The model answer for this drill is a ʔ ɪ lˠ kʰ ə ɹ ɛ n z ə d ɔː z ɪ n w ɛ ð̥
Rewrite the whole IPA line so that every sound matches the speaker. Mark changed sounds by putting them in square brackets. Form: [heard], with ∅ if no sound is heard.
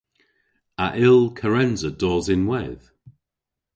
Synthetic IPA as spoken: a ʔ ɪ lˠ kʰ ə ɹ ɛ n z ə d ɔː z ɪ n w ɛ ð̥